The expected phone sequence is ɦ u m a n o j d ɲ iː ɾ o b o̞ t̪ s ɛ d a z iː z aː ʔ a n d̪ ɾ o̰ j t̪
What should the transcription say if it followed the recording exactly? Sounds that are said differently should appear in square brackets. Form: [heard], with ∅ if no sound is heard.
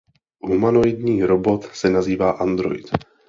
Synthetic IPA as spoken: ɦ u m a n o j d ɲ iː ɾ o b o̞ t̪ s ɛ [n] a z iː [v] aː ʔ a n d̪ ɾ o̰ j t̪

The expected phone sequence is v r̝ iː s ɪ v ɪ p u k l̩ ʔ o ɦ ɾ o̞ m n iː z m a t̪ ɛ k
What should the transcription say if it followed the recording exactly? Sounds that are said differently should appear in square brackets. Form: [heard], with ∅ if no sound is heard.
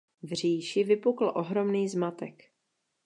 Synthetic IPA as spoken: v r̝ iː [ʃ] ɪ v ɪ p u k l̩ ʔ o ɦ ɾ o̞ m n iː z m a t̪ ɛ k

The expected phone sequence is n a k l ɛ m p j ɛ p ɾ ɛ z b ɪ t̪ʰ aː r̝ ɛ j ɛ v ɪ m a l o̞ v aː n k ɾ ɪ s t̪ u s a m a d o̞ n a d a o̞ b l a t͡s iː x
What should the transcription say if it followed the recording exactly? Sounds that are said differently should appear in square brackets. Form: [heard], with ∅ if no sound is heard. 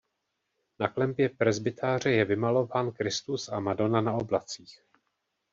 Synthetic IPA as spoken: n a k l ɛ m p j ɛ p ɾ ɛ z b ɪ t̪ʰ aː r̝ ɛ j ɛ v ɪ m a l o̞ v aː n k ɾ ɪ s t̪ u s a m a d o̞ n a [n] a o̞ b l a t͡s iː x

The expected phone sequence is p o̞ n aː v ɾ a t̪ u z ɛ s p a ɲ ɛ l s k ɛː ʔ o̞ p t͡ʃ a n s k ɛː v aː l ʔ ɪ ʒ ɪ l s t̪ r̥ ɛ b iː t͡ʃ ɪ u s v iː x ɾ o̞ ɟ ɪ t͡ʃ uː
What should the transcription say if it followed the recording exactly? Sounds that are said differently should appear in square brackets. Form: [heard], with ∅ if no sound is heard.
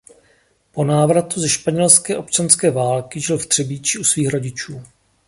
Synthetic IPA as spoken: p o̞ n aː v ɾ a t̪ u z ɛ [ʃ] p a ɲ ɛ l s k ɛː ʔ o̞ p t͡ʃ a n s k ɛː v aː l [k] ɪ ʒ ɪ l [f] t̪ r̥ ɛ b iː t͡ʃ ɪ u s v iː x ɾ o̞ ɟ ɪ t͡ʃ uː

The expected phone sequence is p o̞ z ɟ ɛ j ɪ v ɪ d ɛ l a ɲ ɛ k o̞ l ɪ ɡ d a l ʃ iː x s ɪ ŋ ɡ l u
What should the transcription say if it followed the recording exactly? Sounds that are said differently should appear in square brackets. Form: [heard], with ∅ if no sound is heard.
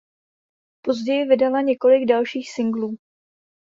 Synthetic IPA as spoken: p o̞ z ɟ ɛ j ɪ v ɪ d [a] l a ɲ ɛ k o̞ l ɪ ɡ d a l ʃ iː x s ɪ ŋ ɡ l [uː]

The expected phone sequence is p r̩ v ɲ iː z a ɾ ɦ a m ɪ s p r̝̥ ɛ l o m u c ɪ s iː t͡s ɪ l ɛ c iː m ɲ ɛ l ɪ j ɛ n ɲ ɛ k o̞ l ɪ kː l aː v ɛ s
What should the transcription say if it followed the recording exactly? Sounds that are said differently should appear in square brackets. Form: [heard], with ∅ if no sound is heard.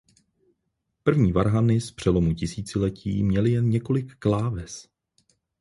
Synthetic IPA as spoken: p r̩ v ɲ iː [v] a ɾ ɦ a [n] ɪ s p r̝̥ ɛ l o m u c ɪ s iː t͡s ɪ l ɛ c iː m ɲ ɛ l ɪ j ɛ n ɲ ɛ k o̞ l ɪ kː l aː v ɛ s

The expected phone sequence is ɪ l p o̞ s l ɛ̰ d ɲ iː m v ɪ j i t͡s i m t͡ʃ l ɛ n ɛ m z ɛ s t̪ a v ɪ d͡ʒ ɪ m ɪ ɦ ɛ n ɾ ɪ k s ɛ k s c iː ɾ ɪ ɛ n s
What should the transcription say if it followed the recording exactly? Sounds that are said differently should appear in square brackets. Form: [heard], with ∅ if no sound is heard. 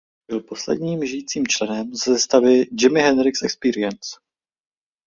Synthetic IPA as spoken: ɪ l p o̞ s l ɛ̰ d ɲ iː m [ʒ] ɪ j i t͡s [iː] m t͡ʃ l ɛ n ɛ m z ɛ s t̪ a v ɪ d͡ʒ ɪ m ɪ ɦ ɛ n ɾ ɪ k s ɛ k s [p] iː ɾ ɪ ɛ n s

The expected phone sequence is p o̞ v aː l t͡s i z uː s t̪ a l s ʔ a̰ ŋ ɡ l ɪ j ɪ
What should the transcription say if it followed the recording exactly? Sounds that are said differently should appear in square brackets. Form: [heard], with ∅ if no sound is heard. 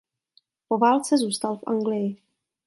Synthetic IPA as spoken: p o̞ v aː l t͡s [ɛ] z uː s t̪ a l [f] ʔ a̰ ŋ ɡ l ɪ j ɪ

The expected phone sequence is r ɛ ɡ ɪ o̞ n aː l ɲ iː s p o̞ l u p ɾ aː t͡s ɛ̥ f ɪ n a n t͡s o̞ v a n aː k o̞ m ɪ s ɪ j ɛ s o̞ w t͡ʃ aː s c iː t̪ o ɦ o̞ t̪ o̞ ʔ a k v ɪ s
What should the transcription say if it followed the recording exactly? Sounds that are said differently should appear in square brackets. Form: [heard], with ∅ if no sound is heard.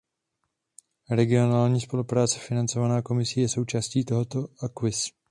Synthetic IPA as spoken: [ɾ] ɛ ɡ ɪ o̞ n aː l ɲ iː s p o̞ l u p ɾ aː t͡s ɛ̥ f ɪ n a n t͡s o̞ v a n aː k o̞ m ɪ s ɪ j ɛ s o̞ w t͡ʃ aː s c iː t̪ o ɦ o̞ t̪ o̞ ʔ a k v ɪ s

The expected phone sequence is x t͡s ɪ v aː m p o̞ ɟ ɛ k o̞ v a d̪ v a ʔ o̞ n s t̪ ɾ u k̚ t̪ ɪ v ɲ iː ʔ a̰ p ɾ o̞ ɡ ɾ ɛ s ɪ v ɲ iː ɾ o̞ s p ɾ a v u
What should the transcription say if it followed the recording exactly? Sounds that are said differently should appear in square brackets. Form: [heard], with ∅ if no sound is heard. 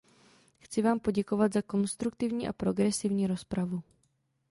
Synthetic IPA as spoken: x t͡s ɪ v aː m p o̞ ɟ ɛ k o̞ v a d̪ [z] a [k] o̞ n s t̪ ɾ u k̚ t̪ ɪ v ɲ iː ʔ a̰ p ɾ o̞ ɡ ɾ ɛ s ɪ v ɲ iː ɾ o̞ s p ɾ a v u

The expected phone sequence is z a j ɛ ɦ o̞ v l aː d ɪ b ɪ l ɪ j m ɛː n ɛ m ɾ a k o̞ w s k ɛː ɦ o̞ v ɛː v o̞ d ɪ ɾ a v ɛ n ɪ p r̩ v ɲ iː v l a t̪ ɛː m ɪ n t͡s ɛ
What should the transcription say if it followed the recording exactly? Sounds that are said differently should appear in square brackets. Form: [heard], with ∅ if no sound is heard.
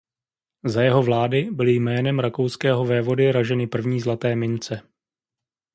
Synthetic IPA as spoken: z a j ɛ ɦ o̞ v l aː d ɪ b ɪ l ɪ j m ɛː n ɛ m ɾ a k o̞ w s k ɛː ɦ o̞ v ɛː v o̞ d ɪ ɾ a [ʒ] ɛ n ɪ p r̩ v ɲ iː [z] l a t̪ ɛː m ɪ n t͡s ɛ

